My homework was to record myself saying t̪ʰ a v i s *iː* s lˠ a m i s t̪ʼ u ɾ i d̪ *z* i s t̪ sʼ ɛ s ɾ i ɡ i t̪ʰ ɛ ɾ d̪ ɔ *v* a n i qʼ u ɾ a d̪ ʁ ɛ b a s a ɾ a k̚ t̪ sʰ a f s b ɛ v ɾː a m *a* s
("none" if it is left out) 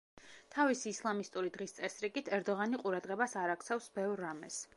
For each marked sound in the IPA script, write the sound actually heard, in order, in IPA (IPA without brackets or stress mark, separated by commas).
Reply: iː, ʁ, ʁ, ɛ